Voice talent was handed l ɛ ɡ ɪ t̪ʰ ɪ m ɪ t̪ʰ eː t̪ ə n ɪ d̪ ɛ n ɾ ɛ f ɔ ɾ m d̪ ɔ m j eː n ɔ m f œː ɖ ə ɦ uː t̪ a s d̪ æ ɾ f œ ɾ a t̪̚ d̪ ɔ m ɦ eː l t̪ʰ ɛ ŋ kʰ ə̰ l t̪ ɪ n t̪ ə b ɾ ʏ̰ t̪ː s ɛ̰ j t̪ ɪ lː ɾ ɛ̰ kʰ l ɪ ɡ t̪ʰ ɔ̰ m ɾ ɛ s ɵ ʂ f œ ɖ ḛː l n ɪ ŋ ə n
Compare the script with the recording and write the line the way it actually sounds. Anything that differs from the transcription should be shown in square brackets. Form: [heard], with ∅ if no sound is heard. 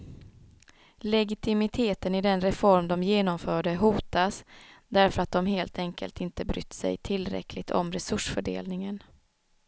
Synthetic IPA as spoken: l ɛ ɡ ɪ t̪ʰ ɪ m ɪ t̪ʰ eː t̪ ə n ɪ d̪ ɛ n ɾ ɛ f ɔ ɾ m d̪ ɔ m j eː n ɔ m f œː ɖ ə ɦ uː t̪ a s d̪ æ ɾ f œ ɾ a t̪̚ d̪ ɔ m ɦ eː l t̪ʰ ɛ ŋ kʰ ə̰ l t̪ ɪ n t̪ ə b ɾ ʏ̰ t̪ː s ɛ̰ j [t̪ʰ] ɪ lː ɾ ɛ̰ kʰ l ɪ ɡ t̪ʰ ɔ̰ m ɾ ɛ s ɵ ʂ f œ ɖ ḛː l n ɪ ŋ ə n